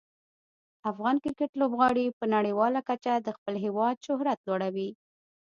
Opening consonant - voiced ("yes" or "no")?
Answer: no